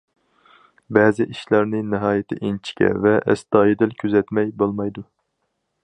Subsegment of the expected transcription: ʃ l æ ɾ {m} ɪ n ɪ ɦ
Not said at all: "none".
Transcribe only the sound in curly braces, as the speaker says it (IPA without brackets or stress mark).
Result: n